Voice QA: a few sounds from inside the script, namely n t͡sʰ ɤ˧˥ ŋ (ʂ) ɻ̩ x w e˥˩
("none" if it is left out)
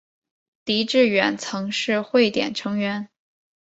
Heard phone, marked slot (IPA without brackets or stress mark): ʂ